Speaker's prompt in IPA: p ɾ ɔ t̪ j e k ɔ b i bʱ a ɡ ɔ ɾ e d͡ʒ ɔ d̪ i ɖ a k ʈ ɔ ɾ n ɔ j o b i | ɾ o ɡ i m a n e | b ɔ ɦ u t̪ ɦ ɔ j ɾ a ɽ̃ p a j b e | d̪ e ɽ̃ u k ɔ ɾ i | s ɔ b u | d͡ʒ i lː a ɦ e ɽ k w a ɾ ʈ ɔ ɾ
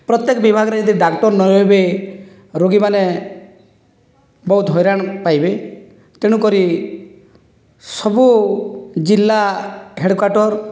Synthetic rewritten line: p ɾ ɔ t̪ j e k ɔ b i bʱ a ɡ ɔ ɾ e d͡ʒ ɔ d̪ i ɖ a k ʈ ɔ ɾ n ɔ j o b e | ɾ o ɡ i m a n e | b ɔ ɦ u t̪ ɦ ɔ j ɾ a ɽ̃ p a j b e | t̪ e ɽ̃ u k ɔ ɾ i | s ɔ b u | d͡ʒ i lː a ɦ e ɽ k w a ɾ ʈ ɔ ɾ

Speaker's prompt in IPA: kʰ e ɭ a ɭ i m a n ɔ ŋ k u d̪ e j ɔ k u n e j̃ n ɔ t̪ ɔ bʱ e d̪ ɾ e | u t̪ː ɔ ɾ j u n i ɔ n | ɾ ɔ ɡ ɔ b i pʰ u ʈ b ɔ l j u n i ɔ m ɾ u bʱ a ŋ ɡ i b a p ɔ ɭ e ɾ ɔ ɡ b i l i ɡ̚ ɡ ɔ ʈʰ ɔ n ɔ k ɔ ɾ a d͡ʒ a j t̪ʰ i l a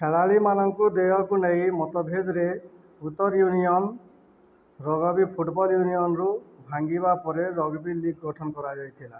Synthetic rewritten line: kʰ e ɭ a ɭ i m a n ɔ ŋ k u d̪ e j ɔ k u n e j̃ m ɔ t̪ ɔ bʱ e d̪ ɾ e | u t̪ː ɔ ɾ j u n i ɔ n | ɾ ɔ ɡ ɔ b i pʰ u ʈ b ɔ l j u n i ɔ n ɾ u bʱ a ŋ ɡ i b a p ɔ ɾ e ɾ ɔ ɡ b i l i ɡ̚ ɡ ɔ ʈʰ ɔ n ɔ k ɔ ɾ a d͡ʒ a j t̪ʰ i l a

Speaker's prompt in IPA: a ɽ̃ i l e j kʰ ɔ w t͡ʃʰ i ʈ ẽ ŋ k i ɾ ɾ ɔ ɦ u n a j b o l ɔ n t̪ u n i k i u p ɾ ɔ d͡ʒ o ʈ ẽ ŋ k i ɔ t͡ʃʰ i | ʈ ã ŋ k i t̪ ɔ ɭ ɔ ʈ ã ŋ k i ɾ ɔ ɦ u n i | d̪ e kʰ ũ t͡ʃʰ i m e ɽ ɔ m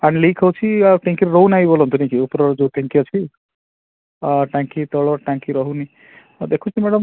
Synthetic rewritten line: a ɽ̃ i l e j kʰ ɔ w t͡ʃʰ i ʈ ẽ ŋ k i ɾ ɾ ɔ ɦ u n a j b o l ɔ n t̪ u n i k i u p ɾ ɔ d͡ʒ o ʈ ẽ ŋ k i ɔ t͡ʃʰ i | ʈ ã ŋ k i t̪ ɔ ɭ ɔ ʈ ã ŋ k i ɾ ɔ ɦ u n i | d̪ e kʰ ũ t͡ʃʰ i m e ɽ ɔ m

